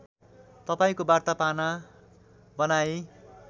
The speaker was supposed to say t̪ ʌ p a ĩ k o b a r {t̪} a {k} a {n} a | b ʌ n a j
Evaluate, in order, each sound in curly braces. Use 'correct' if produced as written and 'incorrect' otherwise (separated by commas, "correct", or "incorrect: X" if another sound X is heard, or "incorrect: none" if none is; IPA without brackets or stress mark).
correct, incorrect: p, correct